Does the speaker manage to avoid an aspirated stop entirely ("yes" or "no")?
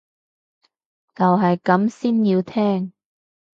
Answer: no